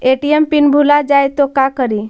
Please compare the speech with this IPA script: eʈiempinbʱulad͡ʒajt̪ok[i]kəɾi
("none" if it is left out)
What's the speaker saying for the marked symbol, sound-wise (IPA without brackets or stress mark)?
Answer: a